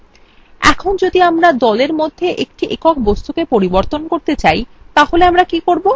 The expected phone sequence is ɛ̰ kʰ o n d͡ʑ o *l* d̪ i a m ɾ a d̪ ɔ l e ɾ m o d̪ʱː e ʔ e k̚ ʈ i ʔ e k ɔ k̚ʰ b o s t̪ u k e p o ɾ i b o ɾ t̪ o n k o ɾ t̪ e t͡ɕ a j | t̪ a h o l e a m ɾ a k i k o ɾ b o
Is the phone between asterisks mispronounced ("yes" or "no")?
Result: yes